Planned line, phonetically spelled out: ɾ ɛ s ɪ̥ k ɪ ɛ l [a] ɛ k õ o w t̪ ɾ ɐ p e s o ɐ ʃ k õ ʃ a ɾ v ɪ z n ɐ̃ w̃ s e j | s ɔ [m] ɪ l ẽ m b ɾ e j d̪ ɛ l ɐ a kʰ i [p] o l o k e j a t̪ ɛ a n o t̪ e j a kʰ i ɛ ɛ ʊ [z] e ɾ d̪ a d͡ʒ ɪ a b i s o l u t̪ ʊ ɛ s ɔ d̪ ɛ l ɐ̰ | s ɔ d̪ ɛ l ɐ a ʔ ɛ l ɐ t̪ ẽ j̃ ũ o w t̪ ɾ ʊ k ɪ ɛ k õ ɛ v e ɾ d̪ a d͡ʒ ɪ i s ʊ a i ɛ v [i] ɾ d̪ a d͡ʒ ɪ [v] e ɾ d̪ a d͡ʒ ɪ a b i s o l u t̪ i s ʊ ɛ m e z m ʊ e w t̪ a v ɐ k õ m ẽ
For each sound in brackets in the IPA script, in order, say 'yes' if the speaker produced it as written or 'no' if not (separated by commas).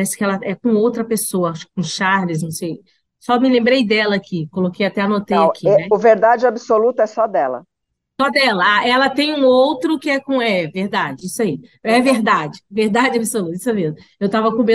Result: no, yes, no, no, no, yes